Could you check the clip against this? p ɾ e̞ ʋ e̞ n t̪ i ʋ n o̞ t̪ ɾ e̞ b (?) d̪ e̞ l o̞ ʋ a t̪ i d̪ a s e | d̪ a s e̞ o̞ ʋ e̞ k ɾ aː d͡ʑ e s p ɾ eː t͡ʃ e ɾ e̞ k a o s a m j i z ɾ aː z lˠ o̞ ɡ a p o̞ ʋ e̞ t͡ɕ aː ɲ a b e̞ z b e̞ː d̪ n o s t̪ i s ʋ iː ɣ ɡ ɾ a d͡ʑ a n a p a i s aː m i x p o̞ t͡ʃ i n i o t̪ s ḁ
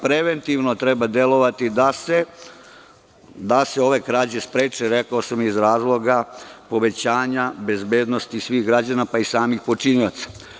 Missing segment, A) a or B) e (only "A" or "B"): A